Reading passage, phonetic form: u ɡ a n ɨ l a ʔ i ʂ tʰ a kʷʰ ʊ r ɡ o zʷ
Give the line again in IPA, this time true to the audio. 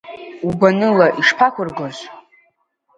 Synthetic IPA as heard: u b a n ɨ l a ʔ i ʂ pʰ a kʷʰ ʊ r ɡ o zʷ